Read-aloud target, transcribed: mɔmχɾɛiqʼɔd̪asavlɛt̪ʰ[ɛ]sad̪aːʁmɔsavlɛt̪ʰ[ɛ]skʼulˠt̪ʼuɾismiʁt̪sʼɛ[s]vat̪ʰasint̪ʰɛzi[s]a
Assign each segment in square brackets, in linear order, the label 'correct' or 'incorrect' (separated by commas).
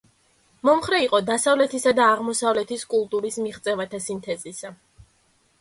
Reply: incorrect, incorrect, incorrect, correct